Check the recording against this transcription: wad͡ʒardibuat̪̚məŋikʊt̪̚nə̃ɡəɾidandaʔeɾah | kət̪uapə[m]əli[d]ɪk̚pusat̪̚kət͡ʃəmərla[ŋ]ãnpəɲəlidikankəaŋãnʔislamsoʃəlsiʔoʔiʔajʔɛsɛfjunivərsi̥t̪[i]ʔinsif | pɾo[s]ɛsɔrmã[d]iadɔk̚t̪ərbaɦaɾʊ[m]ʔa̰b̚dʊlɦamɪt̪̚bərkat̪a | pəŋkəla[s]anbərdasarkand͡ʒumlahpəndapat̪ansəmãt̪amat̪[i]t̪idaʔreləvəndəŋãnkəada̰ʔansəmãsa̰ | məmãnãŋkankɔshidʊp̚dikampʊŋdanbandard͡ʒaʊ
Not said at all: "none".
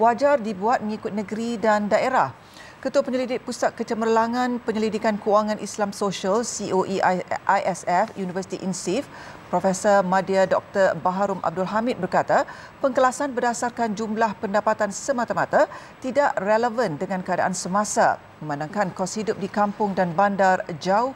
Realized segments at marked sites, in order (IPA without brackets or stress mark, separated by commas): ɲ, d, ŋ, i, f, d, m, s, a